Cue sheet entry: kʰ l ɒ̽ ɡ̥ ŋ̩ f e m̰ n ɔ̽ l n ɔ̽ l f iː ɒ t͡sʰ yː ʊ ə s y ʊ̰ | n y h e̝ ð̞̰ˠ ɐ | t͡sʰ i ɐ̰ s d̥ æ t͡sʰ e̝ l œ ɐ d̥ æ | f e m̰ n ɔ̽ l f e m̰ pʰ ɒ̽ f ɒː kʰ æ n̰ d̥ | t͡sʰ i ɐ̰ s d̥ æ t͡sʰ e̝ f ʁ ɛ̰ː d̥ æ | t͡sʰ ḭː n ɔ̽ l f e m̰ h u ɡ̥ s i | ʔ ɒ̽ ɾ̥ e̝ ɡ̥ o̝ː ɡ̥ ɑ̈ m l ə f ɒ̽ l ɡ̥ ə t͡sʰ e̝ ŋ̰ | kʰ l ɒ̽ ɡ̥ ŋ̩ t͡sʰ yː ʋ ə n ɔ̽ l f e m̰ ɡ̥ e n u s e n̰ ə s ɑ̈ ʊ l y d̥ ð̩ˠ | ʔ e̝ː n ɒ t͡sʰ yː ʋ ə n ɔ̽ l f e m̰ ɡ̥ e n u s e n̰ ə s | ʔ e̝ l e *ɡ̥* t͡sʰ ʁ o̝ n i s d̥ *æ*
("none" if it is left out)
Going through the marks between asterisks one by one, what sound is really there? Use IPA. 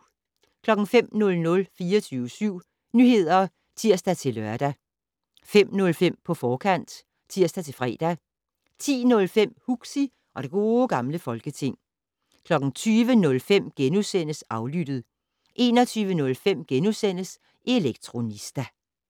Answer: ɡ̥, æ

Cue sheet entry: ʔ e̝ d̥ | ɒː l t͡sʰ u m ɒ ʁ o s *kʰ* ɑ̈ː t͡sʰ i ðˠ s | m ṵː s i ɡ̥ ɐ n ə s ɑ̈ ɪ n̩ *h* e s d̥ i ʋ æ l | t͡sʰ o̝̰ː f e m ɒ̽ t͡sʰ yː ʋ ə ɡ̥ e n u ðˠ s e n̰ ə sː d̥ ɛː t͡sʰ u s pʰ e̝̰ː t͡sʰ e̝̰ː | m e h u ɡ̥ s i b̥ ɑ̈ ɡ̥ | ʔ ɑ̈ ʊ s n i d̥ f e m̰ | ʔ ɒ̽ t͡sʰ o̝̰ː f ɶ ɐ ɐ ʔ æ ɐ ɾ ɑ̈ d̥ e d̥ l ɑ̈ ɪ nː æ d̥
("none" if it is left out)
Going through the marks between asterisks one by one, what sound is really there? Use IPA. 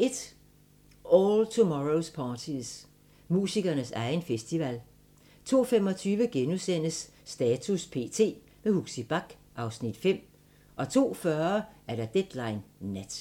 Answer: pʰ, f

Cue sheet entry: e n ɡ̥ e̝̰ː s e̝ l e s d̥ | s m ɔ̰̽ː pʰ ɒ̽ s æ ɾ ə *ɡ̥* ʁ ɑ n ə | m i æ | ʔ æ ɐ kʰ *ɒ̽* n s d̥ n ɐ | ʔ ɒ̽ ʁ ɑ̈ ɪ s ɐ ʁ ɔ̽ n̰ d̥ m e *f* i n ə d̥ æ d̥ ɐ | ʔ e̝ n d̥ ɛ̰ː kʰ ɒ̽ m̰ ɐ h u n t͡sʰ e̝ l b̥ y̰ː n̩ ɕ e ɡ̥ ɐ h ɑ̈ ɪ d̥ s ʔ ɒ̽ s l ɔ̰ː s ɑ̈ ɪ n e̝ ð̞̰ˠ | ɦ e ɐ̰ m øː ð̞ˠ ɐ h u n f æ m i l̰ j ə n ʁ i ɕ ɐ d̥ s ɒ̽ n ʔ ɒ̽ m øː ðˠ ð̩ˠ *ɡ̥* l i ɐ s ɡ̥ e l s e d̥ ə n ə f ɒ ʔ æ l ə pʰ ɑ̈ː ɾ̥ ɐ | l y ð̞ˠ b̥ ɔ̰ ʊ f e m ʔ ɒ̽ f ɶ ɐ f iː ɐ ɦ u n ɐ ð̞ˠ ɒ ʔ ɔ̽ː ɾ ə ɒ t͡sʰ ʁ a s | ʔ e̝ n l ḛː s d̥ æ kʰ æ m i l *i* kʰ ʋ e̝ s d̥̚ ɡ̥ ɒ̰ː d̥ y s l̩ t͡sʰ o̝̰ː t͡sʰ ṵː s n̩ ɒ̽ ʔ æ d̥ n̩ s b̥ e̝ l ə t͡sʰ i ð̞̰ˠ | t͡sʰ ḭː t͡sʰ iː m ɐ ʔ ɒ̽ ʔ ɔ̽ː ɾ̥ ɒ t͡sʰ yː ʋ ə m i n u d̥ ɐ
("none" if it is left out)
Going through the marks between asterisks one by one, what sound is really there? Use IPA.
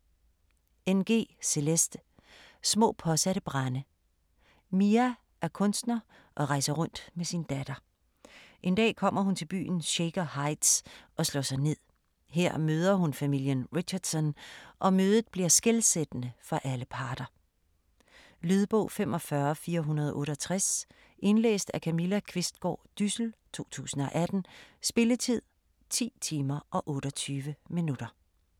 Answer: b̥, ɔ̽, s, b̥, æ

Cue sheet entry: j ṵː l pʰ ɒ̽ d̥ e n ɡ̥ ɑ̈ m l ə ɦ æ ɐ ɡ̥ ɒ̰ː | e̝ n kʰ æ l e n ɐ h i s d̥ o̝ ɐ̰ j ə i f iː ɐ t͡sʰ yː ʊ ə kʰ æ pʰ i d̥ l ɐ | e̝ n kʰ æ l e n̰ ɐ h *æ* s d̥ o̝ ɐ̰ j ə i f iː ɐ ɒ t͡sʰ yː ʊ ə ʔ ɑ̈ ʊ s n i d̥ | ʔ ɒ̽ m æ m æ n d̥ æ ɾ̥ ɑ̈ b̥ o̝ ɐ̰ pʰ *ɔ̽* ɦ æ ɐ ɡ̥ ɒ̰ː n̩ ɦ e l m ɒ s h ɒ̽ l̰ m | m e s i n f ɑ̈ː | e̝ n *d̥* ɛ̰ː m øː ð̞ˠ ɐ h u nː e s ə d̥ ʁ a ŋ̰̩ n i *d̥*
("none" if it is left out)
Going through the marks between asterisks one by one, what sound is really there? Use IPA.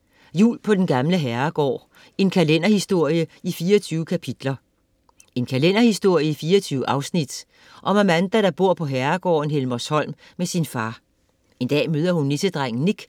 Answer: i, ɒ̽, d̥, ɡ̥

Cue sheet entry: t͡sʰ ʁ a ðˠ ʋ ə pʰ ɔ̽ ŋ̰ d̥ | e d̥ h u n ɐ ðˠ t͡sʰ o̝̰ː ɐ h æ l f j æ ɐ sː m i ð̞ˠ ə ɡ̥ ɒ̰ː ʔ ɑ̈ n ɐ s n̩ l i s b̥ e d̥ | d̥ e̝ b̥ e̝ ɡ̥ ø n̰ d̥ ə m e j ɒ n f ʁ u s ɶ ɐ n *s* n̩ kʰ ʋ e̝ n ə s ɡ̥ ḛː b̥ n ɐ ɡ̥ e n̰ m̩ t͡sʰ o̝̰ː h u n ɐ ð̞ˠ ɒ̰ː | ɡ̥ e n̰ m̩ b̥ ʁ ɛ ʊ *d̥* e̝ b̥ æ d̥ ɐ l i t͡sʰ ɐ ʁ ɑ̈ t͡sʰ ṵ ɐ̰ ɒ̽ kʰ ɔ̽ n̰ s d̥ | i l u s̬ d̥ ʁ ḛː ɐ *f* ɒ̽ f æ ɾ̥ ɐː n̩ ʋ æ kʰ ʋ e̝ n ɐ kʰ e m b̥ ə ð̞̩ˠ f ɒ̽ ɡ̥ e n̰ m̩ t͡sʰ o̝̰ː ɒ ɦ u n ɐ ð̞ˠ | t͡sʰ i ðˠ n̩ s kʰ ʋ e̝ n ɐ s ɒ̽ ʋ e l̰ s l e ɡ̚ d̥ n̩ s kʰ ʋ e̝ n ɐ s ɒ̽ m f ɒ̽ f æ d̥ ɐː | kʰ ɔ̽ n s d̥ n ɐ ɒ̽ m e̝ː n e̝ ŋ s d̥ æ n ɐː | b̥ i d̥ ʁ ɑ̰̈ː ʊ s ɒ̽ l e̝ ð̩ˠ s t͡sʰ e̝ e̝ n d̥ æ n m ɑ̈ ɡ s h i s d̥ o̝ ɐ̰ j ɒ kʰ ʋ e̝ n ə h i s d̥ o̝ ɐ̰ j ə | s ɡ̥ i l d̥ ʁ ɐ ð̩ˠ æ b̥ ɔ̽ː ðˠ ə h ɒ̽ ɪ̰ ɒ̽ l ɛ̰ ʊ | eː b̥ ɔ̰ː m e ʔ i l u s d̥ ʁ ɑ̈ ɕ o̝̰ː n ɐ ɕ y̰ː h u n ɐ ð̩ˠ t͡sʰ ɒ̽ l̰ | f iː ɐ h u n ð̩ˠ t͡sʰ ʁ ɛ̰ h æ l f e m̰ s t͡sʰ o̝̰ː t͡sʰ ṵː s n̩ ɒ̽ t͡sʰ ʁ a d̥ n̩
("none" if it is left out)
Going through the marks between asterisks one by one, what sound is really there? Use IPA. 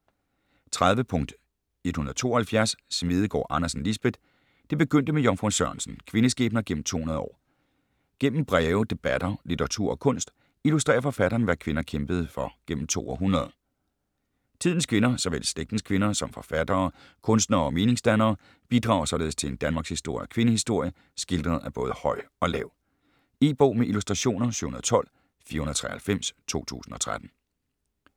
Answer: s, d̥, f

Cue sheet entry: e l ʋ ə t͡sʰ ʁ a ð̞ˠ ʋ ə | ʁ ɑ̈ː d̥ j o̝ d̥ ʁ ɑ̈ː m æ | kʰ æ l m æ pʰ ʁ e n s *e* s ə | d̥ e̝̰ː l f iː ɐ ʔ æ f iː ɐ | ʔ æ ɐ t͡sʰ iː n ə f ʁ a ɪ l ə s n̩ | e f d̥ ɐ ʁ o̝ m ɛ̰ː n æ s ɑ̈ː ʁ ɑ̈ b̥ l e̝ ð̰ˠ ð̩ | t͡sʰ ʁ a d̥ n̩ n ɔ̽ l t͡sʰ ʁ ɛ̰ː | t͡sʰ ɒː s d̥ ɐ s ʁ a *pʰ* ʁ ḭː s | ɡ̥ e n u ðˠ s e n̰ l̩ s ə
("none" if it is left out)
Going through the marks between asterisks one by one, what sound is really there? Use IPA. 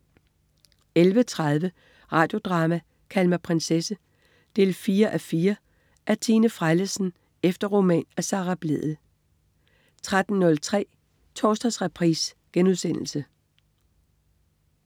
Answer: e, pʰ

